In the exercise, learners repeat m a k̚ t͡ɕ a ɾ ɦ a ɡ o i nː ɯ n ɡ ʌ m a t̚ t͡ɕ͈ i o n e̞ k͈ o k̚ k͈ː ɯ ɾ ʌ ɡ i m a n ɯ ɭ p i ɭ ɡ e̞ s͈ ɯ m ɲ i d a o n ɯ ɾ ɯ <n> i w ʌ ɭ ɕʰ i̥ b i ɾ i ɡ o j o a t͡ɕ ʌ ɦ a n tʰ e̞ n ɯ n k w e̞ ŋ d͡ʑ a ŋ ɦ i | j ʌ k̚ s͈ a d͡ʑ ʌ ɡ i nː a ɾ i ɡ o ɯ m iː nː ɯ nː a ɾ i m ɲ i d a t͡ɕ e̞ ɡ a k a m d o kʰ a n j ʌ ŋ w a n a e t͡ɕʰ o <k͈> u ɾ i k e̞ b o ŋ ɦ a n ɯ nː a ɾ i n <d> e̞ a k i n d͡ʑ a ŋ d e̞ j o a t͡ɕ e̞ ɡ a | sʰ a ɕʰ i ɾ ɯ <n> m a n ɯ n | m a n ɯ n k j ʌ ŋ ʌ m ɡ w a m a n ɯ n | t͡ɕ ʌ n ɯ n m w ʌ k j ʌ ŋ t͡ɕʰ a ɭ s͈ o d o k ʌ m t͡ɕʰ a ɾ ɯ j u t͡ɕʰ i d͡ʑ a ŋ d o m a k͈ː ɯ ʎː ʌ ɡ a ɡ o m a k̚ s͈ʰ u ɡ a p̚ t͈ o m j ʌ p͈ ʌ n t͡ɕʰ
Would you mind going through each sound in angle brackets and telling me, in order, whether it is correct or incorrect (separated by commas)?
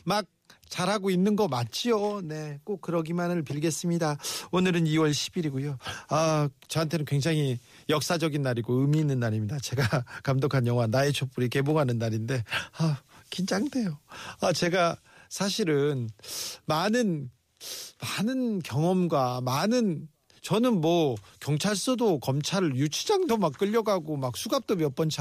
correct, incorrect, correct, correct